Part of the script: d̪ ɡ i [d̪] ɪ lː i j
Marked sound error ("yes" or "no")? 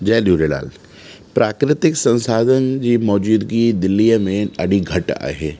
no